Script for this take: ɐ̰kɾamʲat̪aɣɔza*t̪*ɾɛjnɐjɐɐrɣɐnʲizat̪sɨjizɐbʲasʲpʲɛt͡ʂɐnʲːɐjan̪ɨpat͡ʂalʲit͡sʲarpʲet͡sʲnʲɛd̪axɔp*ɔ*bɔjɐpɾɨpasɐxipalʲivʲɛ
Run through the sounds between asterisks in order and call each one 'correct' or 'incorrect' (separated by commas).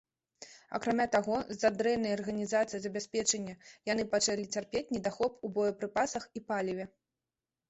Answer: incorrect, incorrect